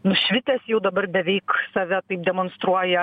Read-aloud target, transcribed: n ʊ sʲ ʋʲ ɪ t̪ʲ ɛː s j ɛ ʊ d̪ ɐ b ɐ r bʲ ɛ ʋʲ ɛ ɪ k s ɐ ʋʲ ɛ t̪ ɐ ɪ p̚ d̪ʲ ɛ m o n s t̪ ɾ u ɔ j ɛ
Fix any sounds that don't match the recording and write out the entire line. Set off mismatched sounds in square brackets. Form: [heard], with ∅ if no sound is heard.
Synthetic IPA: n ʊ [ʃʲ] ʋʲ ɪ t̪ʲ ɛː s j ɛ ʊ d̪ ɐ b ɐ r bʲ ɛ ʋʲ ɛ ɪ k s ɐ ʋʲ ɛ t̪ ɐ ɪ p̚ d̪ʲ ɛ m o n s t̪ ɾ u ɔ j ɛ